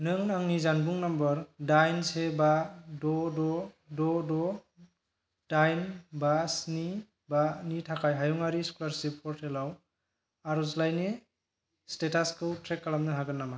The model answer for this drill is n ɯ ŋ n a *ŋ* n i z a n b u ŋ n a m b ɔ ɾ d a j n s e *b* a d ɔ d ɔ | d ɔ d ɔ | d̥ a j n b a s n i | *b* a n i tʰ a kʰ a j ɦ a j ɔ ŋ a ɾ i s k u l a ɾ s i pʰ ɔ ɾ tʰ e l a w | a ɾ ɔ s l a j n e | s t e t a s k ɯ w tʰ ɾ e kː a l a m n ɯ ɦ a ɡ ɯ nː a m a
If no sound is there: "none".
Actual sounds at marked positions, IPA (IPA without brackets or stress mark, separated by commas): ŋ, b, b